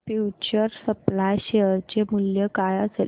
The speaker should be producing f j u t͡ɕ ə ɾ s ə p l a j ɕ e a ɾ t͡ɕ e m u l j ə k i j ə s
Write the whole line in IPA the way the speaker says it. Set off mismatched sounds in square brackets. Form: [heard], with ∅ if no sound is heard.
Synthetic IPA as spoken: f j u t͡ɕ ə ɾ s ə p l a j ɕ e [ə] ɾ t͡ɕ e m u l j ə k [a] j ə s